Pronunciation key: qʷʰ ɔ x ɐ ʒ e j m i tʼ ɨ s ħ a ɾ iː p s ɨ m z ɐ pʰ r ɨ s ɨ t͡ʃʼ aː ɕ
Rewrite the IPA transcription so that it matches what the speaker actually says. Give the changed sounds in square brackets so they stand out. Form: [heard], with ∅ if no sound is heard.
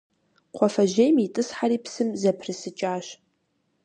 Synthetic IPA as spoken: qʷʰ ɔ [f] ɐ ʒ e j m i tʼ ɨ s ħ a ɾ iː p s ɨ m z ɐ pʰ r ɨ s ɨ t͡ʃʼ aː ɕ